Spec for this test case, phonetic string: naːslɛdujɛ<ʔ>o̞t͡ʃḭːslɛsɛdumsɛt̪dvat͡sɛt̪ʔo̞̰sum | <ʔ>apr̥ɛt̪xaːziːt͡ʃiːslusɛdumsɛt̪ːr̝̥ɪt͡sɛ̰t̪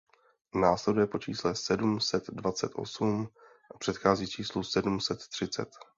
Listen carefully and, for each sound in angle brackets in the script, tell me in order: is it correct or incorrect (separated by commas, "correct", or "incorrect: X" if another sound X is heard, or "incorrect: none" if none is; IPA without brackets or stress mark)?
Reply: incorrect: p, correct